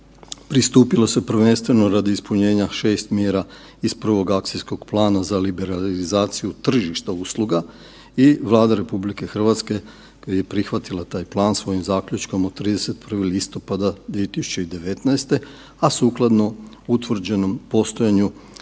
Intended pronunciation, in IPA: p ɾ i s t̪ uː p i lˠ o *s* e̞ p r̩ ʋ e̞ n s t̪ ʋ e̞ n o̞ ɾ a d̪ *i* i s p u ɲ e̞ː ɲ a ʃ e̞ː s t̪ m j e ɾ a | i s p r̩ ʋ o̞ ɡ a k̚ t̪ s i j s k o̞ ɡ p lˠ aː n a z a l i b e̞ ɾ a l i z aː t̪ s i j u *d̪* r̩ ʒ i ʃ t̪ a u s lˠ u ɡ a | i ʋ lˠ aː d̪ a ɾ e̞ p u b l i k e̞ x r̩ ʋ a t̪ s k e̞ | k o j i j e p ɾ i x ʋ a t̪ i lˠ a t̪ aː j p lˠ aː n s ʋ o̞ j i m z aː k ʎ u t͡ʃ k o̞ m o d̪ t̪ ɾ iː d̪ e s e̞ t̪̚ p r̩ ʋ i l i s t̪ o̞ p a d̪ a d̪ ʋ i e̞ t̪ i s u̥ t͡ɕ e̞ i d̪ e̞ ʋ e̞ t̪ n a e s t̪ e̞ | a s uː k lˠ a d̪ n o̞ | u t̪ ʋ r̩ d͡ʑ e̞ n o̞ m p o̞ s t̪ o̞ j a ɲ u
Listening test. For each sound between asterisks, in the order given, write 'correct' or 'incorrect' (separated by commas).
correct, correct, incorrect